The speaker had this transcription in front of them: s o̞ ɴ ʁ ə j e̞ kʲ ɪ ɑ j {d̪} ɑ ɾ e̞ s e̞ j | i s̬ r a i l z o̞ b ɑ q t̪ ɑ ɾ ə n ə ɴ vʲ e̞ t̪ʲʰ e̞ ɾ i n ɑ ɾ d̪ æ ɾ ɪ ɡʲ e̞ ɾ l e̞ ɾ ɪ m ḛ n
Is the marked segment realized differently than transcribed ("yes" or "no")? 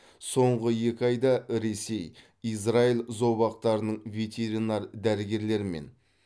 no